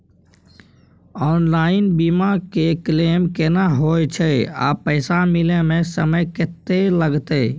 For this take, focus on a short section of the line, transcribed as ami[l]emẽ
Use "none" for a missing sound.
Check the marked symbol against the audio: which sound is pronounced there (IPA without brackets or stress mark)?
l